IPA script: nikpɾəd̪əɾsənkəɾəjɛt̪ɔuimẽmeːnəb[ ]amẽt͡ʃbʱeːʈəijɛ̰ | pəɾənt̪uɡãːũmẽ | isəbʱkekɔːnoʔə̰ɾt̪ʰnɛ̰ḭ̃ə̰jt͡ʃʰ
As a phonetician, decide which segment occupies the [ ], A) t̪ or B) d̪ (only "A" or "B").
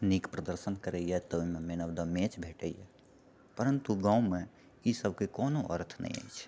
B